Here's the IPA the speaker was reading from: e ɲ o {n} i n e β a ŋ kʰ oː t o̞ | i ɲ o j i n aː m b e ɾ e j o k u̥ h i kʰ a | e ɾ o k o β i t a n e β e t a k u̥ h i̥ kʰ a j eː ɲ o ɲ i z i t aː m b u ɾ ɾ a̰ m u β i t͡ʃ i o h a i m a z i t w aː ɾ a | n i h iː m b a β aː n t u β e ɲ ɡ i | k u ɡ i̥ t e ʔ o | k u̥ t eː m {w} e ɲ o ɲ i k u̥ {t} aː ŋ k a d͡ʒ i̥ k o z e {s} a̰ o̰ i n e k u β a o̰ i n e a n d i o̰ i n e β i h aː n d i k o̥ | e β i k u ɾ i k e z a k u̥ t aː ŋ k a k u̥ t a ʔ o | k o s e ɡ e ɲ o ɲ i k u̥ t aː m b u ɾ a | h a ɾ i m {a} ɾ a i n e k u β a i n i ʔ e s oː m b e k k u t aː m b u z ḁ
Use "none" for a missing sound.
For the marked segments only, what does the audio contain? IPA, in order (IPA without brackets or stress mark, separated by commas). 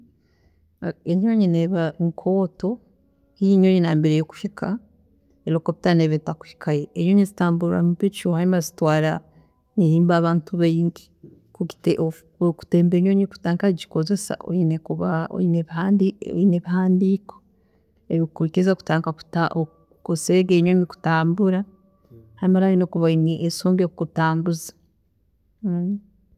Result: ɲ, b, t, s, a